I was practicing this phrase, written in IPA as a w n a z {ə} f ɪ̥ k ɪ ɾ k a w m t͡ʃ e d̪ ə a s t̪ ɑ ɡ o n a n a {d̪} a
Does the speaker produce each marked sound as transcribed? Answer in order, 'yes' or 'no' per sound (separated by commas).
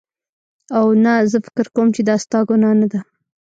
yes, yes